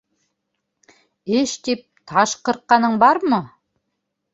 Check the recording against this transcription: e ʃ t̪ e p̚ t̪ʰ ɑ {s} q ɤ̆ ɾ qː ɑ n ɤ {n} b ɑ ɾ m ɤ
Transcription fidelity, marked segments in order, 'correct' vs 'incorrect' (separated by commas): incorrect, incorrect